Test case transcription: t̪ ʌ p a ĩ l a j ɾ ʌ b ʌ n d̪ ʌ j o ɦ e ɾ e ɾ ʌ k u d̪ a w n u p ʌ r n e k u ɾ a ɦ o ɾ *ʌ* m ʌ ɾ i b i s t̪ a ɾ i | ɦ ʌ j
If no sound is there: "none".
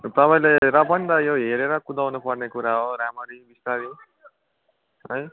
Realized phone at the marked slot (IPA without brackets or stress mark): a